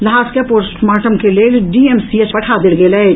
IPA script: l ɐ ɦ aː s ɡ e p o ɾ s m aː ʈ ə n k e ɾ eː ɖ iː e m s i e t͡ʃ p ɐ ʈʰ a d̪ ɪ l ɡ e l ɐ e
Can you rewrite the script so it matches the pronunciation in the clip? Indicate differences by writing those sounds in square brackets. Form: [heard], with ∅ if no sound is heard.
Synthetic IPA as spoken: l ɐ ɦ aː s [k] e p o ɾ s m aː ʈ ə [m] k e [l] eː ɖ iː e m s i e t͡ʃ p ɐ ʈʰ a d̪ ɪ l ɡ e l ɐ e